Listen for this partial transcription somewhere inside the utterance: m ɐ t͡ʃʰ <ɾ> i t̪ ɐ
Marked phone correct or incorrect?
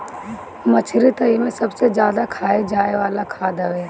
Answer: correct